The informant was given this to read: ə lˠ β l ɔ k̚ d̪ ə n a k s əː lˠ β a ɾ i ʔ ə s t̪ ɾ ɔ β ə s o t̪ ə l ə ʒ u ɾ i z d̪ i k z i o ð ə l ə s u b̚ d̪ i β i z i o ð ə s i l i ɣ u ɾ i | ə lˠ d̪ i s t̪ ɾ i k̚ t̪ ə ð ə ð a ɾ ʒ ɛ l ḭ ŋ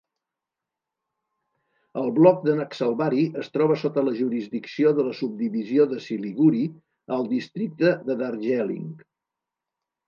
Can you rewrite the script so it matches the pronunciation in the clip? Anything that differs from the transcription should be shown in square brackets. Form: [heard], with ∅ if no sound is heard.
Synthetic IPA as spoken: ə lˠ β l ɔ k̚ d̪ ə n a k s [ə] lˠ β a ɾ i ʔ ə s t̪ ɾ ɔ β ə s o t̪ ə l ə ʒ u ɾ i z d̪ i k [s] i o ð ə l ə s u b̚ d̪ i β i z i o ð ə s i l i ɣ u ɾ i | ə lˠ d̪ i s t̪ ɾ i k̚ t̪ ə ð ə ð a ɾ ʒ ɛ l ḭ ŋ